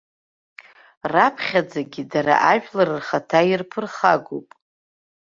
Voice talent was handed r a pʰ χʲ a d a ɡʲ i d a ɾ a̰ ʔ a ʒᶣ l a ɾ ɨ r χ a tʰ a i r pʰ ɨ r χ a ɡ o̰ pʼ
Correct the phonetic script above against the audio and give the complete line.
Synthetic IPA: r a pʰ χʲ a d͡z a ɡʲ i d a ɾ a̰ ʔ a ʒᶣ l a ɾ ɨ r χ a tʰ a i r pʰ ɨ r χ a ɡ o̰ pʼ